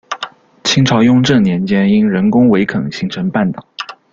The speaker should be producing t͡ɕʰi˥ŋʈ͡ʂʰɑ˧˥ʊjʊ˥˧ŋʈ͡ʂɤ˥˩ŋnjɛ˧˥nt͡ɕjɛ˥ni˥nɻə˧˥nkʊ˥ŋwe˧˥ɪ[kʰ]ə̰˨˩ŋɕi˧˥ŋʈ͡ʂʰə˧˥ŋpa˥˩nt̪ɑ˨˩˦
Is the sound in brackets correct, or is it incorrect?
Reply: correct